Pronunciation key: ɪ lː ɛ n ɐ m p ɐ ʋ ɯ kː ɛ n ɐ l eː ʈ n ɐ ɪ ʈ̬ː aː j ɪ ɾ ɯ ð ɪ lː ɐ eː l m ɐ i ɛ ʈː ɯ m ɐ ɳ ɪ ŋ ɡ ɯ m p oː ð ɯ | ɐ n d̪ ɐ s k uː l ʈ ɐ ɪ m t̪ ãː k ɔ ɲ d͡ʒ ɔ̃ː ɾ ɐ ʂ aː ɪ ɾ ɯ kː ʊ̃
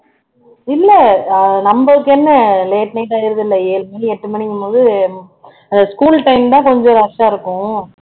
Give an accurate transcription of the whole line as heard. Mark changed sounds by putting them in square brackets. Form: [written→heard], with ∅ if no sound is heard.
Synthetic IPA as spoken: ɪ lː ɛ n ɐ m [p→b] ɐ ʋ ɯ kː ɛ [n→nː] ɐ l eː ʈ n ɐ ɪ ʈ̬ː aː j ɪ ɾ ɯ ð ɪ lː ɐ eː l m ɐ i ɛ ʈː ɯ m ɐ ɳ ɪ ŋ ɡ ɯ m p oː ð ɯ | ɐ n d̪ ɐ s k uː l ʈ ɐ ɪ m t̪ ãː k ɔ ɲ d͡ʒ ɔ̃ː ɾ ɐ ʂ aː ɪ ɾ ɯ kː ʊ̃